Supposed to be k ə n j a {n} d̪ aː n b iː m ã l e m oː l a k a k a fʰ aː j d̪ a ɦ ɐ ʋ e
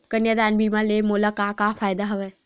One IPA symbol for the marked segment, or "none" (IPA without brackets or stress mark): none